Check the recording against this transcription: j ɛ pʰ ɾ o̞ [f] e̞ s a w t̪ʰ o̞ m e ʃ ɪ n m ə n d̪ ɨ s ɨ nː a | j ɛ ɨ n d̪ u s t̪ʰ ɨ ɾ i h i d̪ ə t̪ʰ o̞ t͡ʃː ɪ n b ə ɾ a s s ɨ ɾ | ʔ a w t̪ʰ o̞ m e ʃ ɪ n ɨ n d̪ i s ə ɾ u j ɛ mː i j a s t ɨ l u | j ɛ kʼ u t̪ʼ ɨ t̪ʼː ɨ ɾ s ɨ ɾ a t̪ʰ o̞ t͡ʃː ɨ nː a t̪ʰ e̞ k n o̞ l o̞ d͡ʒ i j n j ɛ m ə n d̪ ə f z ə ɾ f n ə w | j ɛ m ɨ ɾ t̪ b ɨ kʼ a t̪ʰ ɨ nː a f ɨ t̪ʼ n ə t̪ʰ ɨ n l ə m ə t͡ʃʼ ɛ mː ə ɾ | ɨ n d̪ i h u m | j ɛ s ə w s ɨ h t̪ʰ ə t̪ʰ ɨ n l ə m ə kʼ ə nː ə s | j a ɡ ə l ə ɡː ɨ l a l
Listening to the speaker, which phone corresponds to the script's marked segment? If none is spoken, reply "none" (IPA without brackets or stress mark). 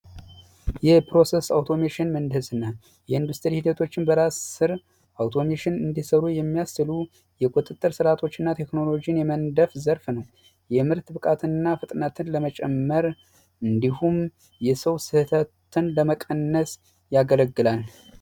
s